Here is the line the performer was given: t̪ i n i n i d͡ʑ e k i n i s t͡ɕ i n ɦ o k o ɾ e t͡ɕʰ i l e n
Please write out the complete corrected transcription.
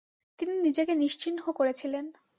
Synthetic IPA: t̪ i n i n i d͡ʑ e k e n i ʃ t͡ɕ i n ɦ o k o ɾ e t͡ɕʰ i l e n